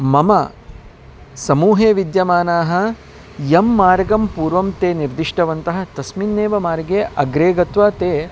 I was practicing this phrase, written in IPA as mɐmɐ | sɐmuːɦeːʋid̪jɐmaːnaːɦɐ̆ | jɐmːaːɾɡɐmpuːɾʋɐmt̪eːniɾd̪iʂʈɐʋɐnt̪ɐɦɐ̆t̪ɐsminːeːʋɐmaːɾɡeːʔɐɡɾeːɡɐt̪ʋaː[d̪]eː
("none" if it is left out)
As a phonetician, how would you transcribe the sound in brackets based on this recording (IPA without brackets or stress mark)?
t̪